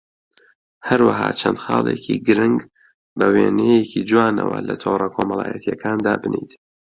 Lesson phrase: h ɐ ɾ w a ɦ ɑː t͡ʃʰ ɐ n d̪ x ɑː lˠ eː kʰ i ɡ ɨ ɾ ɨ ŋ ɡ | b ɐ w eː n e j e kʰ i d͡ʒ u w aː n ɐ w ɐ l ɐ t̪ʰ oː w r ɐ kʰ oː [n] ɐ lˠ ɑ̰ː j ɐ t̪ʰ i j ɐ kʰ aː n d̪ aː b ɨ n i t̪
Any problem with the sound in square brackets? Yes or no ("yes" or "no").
yes